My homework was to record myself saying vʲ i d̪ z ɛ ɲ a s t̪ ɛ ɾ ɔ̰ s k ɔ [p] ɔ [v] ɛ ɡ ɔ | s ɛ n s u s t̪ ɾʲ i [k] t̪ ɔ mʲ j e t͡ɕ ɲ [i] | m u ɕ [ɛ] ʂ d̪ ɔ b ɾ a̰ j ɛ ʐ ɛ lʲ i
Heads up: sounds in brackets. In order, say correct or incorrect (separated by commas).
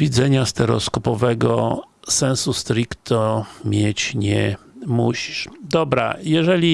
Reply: correct, correct, correct, incorrect, incorrect